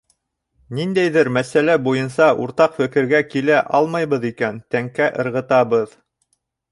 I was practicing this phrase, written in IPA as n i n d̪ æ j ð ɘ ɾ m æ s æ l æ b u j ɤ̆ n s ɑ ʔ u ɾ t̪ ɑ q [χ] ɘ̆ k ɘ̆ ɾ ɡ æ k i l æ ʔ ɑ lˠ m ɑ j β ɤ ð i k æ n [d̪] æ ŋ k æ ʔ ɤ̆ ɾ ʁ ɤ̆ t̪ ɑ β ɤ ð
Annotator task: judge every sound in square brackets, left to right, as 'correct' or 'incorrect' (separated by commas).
incorrect, incorrect